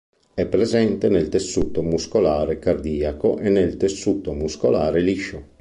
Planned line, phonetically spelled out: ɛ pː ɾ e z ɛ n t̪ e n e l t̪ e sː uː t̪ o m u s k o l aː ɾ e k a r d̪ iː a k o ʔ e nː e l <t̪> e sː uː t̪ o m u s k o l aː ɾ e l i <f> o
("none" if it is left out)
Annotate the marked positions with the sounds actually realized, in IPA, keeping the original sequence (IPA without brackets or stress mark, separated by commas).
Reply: t̪, ʃ